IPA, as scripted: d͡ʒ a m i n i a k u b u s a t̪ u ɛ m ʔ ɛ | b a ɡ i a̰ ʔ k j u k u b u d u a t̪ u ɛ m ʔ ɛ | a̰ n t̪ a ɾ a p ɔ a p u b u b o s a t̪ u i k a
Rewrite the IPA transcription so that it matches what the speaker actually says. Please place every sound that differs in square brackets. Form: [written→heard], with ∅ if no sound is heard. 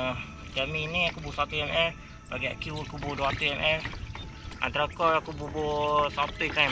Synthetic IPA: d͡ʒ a m i n i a k u b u s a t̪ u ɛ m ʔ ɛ | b a ɡ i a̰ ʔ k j u k u b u d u a t̪ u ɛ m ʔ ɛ | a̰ n t̪ a ɾ a [p→k] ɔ a [p→k] u b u b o s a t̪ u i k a